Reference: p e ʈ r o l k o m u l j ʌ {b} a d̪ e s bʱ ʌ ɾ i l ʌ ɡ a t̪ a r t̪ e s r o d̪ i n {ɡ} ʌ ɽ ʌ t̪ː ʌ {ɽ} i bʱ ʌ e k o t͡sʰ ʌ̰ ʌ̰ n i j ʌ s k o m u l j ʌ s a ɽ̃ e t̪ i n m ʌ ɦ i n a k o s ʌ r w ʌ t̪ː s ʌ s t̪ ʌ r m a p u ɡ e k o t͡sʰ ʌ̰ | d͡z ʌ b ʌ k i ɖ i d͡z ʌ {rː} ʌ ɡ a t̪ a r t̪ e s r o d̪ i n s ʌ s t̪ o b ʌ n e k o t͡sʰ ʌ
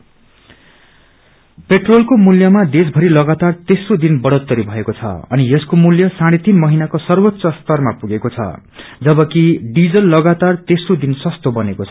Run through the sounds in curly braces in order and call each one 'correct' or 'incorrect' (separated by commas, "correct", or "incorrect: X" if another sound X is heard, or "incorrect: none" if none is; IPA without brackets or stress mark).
incorrect: m, incorrect: b, incorrect: ɾ, incorrect: lː